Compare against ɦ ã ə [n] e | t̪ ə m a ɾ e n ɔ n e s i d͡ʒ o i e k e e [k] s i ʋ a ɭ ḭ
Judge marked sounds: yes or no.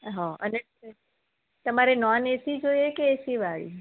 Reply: yes, no

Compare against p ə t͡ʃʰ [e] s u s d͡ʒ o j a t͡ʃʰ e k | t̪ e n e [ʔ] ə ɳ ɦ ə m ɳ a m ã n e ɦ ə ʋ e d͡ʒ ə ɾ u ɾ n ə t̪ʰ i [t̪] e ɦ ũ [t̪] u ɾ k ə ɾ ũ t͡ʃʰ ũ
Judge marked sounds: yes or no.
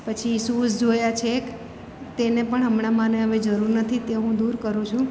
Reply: no, no, yes, no

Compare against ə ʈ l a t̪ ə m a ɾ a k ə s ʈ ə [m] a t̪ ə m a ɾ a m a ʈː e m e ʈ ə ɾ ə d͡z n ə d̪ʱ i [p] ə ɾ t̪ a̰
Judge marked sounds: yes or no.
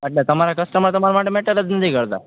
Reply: yes, no

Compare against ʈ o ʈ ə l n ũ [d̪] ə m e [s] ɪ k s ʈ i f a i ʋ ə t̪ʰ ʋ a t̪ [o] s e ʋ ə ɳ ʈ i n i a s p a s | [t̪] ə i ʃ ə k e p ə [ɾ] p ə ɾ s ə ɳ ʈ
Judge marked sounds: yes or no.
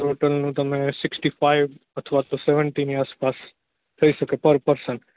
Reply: no, yes, yes, no, yes

